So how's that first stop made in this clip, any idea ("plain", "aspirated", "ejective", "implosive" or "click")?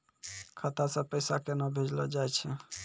aspirated